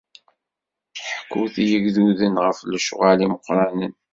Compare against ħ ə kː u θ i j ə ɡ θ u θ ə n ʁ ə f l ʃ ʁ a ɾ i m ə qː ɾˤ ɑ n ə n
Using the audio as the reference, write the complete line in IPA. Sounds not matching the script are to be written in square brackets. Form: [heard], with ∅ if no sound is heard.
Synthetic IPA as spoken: ħ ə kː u θ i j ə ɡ [ð] u [ð] ə n ʁ ə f l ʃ ʁ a [l] i m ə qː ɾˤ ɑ n ə n